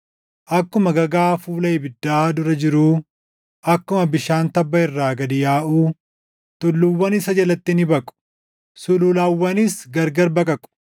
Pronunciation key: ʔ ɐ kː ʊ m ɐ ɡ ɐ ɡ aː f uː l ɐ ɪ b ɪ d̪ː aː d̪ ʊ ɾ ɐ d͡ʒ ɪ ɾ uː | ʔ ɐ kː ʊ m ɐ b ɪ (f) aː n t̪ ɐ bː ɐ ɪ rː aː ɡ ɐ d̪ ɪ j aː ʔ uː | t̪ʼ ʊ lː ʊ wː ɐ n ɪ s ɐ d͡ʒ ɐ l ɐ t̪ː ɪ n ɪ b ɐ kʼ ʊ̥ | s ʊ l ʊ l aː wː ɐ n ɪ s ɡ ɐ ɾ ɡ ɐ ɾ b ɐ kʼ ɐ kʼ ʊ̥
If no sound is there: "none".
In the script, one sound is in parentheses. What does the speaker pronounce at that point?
ʃ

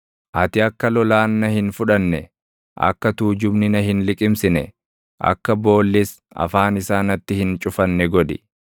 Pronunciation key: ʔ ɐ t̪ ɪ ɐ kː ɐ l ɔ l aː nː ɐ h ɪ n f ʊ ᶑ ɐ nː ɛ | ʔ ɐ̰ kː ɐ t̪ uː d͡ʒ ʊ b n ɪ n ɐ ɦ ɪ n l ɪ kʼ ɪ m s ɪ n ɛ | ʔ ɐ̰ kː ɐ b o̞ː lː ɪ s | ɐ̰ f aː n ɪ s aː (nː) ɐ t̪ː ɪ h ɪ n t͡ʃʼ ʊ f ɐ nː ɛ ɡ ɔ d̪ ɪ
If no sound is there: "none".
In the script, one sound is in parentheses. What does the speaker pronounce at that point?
n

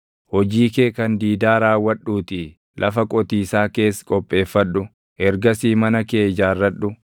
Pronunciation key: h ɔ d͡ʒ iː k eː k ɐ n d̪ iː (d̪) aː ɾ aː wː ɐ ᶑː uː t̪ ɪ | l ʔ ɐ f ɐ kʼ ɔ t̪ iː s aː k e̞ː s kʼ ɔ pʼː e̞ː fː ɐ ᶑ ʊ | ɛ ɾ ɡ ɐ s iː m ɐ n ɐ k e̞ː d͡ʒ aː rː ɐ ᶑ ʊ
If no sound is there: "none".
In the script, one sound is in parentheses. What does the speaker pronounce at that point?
d̪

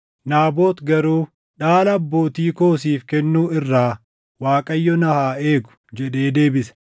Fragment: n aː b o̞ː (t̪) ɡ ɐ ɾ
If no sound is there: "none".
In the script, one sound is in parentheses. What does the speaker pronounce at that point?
t̪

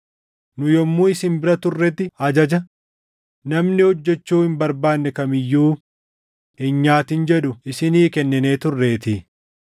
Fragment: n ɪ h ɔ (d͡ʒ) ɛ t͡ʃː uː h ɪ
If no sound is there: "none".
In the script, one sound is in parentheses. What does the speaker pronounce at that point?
d͡ʒː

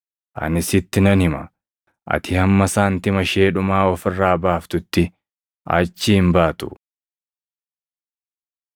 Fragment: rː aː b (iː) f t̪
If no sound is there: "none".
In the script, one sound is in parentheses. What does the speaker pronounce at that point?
aː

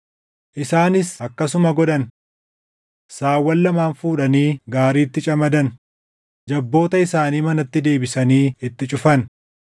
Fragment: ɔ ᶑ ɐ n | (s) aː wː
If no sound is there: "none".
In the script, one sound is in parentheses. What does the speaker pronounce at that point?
s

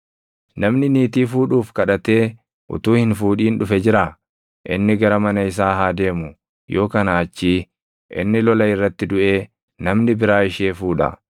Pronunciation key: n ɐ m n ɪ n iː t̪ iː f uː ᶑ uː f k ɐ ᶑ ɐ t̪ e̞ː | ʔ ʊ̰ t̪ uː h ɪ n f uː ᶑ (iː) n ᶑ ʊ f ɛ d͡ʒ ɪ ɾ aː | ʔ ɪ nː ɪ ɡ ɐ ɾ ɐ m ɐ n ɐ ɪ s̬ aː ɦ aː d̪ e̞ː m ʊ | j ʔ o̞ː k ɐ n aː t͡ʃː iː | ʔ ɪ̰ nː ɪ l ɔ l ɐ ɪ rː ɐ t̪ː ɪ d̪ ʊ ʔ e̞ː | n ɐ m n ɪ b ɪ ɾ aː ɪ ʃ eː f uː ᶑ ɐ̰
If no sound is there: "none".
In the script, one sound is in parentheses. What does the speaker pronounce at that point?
iː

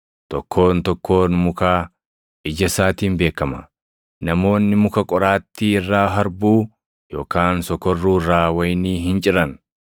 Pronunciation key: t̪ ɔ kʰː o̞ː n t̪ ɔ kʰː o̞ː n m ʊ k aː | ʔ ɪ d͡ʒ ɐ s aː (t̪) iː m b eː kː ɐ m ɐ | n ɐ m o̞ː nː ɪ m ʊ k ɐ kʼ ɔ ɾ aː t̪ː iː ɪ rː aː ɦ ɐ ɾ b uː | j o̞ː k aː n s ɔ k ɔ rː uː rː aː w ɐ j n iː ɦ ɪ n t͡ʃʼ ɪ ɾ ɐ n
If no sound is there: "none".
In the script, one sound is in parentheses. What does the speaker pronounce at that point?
t̪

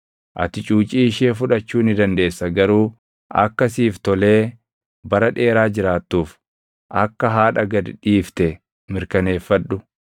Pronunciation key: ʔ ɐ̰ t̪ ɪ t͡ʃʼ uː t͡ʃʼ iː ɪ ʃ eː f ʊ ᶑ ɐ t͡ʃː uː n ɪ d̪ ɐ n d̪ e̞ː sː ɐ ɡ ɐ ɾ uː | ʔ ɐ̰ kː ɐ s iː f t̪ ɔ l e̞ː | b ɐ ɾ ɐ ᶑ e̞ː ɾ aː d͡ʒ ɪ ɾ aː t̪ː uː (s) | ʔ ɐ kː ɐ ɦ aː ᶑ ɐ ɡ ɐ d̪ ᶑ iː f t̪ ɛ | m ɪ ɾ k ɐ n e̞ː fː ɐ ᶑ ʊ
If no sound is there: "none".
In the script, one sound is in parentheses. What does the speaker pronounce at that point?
f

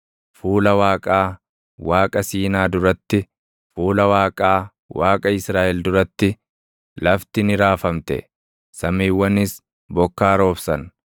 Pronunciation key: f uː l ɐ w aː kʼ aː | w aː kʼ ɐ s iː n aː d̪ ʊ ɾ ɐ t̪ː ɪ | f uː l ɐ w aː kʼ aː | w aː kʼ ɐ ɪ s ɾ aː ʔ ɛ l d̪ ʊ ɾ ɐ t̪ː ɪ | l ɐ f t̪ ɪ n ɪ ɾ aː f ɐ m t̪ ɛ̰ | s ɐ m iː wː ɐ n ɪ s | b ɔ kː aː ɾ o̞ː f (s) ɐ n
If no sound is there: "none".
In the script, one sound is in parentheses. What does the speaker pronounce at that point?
s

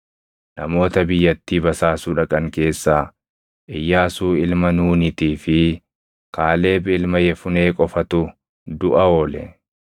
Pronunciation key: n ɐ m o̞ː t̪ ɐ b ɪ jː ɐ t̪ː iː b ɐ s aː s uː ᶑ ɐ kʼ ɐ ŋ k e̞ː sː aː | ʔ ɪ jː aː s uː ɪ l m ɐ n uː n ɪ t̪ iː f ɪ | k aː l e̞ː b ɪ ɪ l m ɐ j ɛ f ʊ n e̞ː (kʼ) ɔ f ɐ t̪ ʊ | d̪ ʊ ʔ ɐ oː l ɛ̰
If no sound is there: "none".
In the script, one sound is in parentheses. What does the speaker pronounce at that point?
kʼ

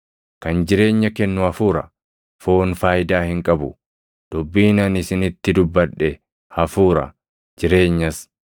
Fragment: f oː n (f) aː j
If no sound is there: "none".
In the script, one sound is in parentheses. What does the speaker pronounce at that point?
f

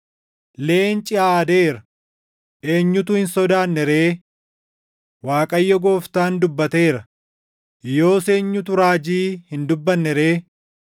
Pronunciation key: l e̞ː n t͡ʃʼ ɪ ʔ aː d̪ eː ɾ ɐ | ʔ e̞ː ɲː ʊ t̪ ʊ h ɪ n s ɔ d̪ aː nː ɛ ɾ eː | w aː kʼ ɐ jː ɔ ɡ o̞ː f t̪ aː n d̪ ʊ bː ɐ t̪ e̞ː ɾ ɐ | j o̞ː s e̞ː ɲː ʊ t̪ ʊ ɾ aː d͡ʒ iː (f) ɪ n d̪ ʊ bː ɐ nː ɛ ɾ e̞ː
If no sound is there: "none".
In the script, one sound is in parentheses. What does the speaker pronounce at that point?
h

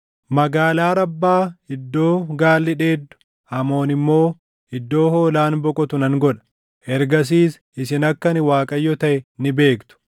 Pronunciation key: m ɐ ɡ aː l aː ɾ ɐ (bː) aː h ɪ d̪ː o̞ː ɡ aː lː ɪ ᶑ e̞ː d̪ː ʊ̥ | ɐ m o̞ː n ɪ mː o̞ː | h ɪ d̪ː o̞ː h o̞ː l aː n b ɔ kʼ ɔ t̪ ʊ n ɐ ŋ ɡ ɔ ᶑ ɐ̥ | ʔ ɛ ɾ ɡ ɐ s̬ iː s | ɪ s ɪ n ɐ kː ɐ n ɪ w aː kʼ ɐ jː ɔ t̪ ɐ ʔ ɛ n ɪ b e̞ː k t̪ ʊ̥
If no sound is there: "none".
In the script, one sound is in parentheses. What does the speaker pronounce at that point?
bː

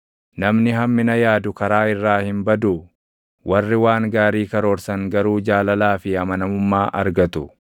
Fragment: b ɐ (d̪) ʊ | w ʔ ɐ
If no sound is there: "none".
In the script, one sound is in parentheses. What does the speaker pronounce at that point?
d̪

